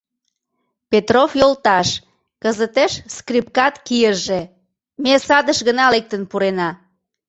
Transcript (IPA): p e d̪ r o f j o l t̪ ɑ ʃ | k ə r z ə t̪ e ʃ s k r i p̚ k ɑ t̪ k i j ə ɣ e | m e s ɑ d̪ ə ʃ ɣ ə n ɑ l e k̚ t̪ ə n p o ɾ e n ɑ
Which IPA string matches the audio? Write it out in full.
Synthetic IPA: p e t̪ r o f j o l t̪ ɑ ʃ | k ə z ə t̪ e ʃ s k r i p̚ k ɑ t̪ k i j ə ʒ e | m e s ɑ d̪ ə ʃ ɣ ə n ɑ l e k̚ t̪ ə n p u ɾ e n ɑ